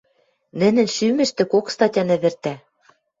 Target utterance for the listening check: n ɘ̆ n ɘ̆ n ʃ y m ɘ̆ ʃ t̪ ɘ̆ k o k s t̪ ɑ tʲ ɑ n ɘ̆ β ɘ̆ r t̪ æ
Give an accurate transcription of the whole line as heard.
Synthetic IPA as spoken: n ɘ̆ n ɘ̆ n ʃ y m ɘ̆ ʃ t̪ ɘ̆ k o k s t̪ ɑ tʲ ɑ n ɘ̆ β ɘ̆ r t̪ æ